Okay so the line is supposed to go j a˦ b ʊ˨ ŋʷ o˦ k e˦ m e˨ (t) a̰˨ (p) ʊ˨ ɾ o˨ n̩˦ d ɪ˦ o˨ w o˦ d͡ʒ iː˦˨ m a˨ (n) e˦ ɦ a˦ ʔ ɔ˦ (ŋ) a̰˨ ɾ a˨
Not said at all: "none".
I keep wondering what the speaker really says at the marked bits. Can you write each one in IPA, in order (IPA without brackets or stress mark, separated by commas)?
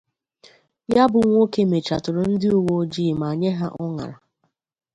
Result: t͡ʃ, t, ɲ, ŋ